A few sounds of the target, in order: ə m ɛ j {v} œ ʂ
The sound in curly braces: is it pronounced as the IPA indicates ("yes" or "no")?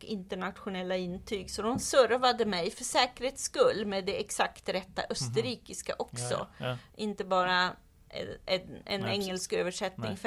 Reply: no